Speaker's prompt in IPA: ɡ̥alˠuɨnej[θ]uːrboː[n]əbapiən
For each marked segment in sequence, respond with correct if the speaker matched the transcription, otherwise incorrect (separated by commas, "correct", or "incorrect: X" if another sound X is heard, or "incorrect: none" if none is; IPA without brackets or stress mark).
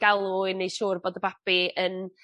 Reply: incorrect: ʃ, incorrect: d